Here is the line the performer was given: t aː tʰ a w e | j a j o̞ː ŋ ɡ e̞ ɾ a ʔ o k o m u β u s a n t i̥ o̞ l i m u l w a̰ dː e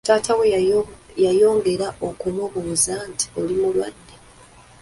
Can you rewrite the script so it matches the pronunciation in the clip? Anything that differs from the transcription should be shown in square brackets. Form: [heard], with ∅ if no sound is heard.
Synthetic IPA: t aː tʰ a w e | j a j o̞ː ŋ ɡ e̞ ɾ a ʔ o k [u] m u β u [z] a n t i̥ o̞ l i m u l w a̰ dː e